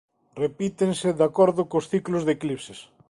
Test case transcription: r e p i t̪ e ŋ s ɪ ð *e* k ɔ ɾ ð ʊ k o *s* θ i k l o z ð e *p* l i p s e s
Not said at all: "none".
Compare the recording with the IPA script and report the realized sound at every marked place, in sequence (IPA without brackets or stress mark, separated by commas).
a, s, k